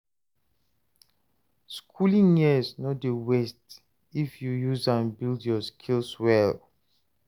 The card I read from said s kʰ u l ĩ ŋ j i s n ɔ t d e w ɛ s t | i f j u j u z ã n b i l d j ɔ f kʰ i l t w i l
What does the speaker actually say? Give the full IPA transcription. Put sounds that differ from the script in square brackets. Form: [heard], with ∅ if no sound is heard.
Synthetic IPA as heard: s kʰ u l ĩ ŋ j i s n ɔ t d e w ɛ s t | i f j u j u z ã n b i l d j ɔ [s] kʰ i l [s] w [ɛ] l